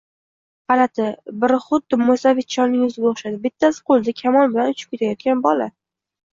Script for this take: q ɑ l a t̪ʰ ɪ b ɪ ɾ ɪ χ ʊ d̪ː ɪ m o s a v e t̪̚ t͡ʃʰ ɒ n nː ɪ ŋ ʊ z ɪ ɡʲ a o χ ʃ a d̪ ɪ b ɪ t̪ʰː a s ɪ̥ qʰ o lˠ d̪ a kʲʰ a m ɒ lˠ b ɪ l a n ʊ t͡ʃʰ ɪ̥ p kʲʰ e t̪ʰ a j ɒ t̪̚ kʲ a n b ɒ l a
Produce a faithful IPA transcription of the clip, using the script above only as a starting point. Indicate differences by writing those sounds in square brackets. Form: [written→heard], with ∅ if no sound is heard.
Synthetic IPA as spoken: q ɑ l a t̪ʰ ɪ b ɪ ɾ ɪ χ ʊ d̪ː ɪ m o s a v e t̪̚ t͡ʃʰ ɒ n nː ɪ ŋ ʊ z ɪ ɡʲ a o χ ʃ a d̪ ɪ b ɪ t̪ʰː a s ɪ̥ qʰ o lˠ d̪ a kʲʰ a m ɒ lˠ b ɪ l a n ʊ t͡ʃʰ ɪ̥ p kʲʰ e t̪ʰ a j ɒ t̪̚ kʲ a n b ɒ l a